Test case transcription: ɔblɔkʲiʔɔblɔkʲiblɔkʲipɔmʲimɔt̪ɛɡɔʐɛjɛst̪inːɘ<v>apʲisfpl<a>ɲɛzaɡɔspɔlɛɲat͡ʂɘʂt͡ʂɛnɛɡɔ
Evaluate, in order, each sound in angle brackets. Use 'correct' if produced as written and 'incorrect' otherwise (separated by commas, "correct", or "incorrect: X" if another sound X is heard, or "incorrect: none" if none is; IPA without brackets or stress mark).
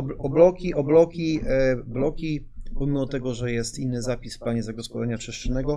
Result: incorrect: z, correct